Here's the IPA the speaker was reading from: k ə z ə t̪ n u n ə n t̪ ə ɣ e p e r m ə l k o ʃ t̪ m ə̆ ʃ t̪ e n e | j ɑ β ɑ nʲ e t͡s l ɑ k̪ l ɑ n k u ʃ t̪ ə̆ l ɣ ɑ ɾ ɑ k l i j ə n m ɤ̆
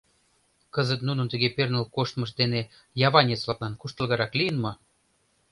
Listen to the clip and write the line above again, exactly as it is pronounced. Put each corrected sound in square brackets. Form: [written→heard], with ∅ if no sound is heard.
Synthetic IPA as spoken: k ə z ə t̪ n u n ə n t̪ ə ɣ e p e r [m→n] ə l k o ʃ t̪ m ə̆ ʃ [t̪→d̪] e n e | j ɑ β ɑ nʲ e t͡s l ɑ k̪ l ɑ n k u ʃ t̪ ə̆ l ɣ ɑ ɾ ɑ k l i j ə n m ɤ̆